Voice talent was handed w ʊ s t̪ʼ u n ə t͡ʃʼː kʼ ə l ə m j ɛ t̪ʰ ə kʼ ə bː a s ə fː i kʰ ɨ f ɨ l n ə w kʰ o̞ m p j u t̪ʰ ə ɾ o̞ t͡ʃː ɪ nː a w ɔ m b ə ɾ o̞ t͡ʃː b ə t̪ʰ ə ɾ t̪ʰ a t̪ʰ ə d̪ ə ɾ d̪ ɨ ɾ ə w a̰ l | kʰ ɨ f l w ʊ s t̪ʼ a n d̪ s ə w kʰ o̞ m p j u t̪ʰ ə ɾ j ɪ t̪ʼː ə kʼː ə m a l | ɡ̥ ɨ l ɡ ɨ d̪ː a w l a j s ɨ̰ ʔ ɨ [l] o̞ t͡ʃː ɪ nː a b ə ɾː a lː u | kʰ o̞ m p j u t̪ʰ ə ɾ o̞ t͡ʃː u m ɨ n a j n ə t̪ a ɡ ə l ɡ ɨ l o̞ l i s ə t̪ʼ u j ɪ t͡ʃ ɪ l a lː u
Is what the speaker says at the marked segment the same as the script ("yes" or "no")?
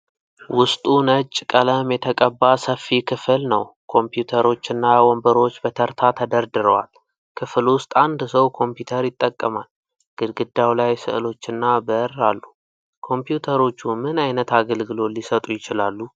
yes